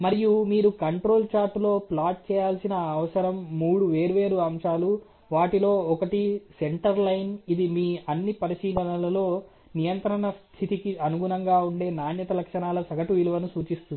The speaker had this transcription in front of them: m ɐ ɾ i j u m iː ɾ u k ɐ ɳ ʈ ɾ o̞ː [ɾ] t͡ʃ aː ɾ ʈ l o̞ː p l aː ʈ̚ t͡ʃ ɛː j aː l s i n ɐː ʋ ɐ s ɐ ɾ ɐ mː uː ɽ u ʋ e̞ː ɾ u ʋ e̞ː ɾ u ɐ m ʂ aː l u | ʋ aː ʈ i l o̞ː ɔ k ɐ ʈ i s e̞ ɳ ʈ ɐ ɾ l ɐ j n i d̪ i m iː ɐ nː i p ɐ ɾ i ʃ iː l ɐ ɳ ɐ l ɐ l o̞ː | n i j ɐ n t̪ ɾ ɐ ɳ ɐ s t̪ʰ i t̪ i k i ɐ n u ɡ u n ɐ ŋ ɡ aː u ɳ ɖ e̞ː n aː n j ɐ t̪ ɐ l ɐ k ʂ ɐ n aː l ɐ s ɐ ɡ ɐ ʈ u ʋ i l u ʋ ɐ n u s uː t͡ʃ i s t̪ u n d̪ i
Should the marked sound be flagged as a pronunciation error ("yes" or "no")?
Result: yes